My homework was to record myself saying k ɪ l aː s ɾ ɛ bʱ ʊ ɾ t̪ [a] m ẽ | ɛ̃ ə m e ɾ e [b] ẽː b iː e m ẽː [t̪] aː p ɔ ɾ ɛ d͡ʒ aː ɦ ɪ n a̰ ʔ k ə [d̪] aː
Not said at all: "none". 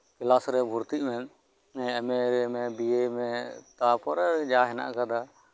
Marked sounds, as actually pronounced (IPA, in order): i, m, t̪, d̪

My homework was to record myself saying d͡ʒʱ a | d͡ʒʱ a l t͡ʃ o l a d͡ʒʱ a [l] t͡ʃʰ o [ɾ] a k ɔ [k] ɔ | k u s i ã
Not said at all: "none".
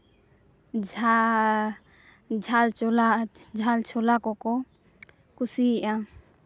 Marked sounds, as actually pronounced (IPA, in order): l, l, k

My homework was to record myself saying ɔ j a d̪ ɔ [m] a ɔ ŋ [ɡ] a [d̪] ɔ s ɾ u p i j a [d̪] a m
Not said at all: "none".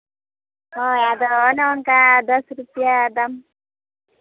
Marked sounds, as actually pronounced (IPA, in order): n, k, d̪, d̪

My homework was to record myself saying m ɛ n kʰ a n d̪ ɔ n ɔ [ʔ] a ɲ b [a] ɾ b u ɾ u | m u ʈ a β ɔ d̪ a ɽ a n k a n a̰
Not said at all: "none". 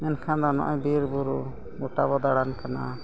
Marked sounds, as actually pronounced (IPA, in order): ʔ, i

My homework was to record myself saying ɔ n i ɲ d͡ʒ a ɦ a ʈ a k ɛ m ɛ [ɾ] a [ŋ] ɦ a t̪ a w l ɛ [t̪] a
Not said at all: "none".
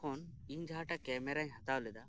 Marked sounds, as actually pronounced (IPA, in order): ɾ, ɲ, d̪

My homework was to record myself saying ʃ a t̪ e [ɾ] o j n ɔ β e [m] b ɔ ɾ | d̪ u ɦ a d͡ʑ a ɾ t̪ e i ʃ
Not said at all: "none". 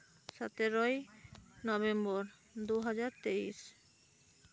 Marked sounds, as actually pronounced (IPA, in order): ɾ, m

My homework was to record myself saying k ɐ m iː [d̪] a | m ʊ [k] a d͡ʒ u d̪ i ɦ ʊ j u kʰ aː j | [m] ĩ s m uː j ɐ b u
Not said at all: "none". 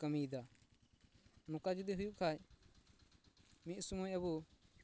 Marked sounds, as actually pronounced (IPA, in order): d̪, k, m

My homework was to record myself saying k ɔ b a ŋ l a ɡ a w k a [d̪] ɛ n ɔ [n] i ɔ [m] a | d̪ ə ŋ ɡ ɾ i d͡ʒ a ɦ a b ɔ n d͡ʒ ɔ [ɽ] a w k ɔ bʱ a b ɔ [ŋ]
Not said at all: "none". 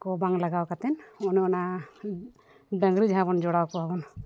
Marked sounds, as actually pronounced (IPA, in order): t̪, n, n, ɽ, n

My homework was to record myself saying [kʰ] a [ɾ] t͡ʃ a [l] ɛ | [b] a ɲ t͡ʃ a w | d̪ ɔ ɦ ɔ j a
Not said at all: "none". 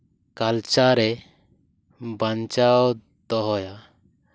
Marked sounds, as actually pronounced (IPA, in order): k, l, ɾ, b

